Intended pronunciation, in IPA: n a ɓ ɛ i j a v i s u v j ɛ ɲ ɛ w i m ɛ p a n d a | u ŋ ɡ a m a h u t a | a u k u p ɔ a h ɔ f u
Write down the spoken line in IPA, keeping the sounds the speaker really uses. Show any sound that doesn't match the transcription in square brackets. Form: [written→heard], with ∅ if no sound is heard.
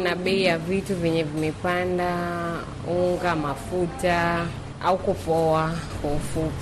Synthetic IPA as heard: n a ɓ ɛ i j a v i [s→t] u v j ɛ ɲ ɛ [w→v] i m ɛ p a n d a | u ŋ ɡ a m a [h→f] u t a | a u k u p ɔ a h ɔ f u